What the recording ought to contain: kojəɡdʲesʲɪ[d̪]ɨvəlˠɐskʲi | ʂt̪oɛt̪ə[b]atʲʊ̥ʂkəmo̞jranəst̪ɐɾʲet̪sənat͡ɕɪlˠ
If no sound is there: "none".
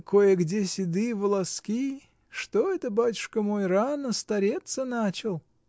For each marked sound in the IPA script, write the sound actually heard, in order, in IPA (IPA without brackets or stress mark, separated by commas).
d̪, b